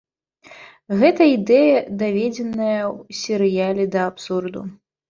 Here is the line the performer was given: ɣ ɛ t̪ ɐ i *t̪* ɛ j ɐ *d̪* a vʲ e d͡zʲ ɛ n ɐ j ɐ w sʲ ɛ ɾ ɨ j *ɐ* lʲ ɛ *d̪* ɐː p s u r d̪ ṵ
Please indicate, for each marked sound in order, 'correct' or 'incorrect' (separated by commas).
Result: incorrect, correct, incorrect, correct